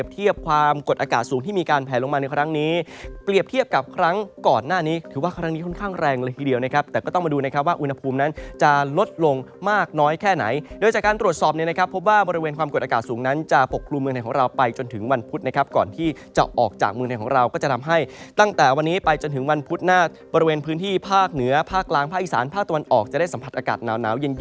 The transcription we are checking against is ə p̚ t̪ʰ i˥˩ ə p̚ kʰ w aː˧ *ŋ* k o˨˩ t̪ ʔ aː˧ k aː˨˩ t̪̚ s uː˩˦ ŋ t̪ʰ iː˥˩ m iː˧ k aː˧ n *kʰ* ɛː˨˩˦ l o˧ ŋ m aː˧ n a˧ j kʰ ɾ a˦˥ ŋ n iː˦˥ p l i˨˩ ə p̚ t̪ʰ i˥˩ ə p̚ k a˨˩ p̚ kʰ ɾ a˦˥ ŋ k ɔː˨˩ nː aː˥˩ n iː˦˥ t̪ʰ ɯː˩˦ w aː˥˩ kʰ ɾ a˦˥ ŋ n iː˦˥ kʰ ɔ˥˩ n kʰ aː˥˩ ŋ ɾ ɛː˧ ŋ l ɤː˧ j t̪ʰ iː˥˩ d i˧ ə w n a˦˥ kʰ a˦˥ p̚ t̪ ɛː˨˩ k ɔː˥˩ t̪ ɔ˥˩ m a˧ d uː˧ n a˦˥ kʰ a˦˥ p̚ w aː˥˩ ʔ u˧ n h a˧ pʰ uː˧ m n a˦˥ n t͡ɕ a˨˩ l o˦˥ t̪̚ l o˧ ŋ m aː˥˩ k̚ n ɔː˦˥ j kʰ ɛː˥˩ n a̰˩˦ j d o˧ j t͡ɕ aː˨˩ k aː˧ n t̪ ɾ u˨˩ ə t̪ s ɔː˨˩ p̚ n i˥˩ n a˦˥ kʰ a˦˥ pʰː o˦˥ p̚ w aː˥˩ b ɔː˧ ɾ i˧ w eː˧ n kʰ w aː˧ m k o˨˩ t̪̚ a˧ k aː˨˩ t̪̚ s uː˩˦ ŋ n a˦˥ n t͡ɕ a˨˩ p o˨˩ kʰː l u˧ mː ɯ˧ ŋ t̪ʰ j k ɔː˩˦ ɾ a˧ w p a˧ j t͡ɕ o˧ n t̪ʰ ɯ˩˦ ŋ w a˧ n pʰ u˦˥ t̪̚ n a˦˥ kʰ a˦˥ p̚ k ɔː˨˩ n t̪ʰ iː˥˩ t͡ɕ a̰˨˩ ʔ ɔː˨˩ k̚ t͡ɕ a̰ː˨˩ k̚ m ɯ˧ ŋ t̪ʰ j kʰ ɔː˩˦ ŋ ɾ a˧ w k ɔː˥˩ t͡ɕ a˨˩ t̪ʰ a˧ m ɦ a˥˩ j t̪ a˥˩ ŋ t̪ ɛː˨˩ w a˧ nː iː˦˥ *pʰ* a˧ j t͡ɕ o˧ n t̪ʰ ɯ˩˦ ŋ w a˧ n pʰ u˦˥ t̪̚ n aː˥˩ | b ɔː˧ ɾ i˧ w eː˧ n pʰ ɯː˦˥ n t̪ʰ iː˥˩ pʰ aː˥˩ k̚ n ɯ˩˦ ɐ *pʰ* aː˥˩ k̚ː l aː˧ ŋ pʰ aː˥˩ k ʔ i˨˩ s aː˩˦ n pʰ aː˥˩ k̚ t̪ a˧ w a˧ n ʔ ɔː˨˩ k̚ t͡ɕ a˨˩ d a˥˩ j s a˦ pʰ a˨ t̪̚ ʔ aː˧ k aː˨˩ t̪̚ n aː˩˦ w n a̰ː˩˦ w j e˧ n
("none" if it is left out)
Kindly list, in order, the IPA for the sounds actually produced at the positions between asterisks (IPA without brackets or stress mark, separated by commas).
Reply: m, pʰ, p, pʰ